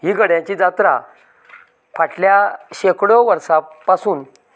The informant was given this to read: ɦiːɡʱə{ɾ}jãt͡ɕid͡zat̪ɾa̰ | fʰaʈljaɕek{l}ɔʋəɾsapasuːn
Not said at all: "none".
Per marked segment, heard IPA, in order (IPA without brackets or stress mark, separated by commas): ɽ, ɽ